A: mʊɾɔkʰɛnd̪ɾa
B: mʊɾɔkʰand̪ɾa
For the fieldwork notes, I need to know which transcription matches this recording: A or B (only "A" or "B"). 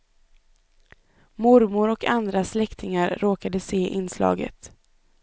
B